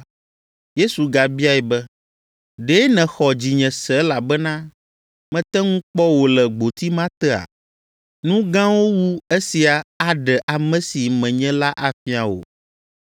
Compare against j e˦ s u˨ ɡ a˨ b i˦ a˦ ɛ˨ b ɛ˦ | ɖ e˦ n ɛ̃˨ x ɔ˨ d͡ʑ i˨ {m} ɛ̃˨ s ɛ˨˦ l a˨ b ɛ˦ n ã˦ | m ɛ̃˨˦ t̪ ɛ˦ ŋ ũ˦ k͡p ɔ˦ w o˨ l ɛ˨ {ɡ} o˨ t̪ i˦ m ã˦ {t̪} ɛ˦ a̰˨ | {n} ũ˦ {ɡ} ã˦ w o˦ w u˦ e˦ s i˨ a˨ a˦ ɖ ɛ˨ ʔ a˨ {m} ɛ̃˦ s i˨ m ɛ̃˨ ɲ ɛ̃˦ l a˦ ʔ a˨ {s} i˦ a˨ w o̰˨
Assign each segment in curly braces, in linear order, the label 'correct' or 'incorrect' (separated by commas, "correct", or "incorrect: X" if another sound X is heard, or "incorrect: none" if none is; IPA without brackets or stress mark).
incorrect: ɲ, incorrect: ɡ͡b, correct, correct, correct, correct, incorrect: f